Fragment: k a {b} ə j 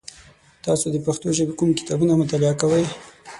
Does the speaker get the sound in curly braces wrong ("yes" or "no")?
yes